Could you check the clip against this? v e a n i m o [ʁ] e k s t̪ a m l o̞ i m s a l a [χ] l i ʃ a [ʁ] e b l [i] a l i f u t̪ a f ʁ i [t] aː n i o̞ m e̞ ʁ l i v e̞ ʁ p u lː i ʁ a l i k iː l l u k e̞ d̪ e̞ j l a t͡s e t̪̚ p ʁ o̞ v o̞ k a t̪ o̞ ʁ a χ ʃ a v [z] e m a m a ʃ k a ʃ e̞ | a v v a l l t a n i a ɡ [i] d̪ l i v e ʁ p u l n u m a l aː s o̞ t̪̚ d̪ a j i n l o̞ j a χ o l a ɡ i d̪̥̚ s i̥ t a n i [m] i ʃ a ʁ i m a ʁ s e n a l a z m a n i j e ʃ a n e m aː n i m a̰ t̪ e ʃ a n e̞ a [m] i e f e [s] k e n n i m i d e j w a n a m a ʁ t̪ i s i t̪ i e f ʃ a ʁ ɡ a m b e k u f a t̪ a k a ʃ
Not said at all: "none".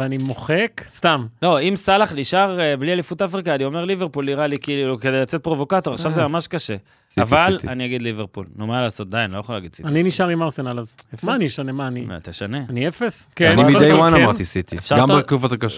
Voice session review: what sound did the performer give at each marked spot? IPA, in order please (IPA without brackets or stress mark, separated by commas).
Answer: χ, χ, ʁ, i, k, z, i, n, n, s